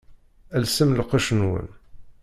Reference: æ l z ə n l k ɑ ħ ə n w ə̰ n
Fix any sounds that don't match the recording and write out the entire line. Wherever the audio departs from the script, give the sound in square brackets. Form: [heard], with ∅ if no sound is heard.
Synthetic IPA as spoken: æ l [s] ə [m] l [q] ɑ [ʃ] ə n w ə̰ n